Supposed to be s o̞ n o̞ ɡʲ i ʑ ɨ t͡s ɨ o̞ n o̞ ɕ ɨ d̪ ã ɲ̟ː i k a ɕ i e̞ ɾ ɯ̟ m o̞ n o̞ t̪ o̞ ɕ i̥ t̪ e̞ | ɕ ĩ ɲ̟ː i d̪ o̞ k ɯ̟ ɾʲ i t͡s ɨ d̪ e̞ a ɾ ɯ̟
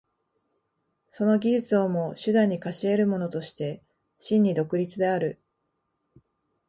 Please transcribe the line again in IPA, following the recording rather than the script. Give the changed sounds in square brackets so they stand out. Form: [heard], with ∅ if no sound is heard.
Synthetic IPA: s o̞ n o̞ ɡʲ i ʑ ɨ t͡s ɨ o̞ [m] o̞ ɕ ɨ d̪ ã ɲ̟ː i k a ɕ i e̞ ɾ ɯ̟ m o̞ n o̞ t̪ o̞ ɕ i̥ t̪ e̞ | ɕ ĩ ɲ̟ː i d̪ o̞ k ɯ̟ ɾʲ i t͡s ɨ d̪ e̞ a ɾ ɯ̟